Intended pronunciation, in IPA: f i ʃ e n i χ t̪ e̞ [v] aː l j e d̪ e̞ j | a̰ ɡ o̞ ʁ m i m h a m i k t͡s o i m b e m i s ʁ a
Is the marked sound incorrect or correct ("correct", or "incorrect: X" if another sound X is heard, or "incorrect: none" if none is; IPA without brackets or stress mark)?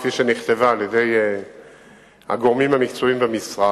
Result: correct